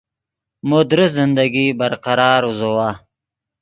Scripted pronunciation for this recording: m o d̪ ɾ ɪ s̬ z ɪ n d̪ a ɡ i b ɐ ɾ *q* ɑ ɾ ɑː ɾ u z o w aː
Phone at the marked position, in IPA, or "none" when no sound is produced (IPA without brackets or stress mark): q